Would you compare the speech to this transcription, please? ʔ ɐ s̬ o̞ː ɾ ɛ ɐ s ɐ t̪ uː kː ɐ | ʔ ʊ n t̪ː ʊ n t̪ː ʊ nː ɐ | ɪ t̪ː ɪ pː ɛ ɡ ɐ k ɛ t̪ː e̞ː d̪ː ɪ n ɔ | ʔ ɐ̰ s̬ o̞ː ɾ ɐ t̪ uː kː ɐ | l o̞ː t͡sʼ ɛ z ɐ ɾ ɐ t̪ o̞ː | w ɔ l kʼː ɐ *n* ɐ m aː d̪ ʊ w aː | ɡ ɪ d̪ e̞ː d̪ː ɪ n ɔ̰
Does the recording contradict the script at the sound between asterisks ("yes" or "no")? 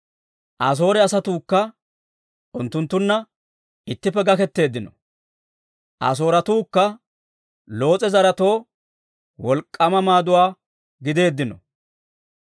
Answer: yes